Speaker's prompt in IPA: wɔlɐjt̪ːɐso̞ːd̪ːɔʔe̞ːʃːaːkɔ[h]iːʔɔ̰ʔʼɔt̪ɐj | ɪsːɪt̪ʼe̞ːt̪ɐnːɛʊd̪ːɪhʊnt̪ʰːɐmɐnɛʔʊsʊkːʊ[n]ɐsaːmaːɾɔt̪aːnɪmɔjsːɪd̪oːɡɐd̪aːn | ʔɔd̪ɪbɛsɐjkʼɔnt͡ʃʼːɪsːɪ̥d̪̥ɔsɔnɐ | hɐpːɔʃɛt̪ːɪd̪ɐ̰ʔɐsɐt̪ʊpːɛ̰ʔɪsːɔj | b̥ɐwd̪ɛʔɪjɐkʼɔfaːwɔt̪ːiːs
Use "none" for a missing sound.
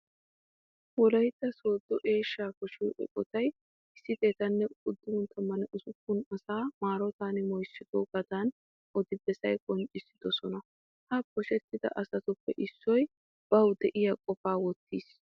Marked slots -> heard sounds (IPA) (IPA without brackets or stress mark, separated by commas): ʃ, n